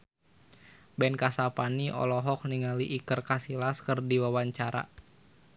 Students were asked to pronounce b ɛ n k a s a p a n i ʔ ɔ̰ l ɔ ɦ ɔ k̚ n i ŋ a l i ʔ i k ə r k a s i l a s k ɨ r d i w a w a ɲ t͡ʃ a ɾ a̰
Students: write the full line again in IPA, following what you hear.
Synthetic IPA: b ɛ n k a s a p a n i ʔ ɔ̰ l ɔ ɦ ɔ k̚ n i ŋ a l i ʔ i k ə r k a s i l a s k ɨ r d i w a w a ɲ t͡ʃ a ɾ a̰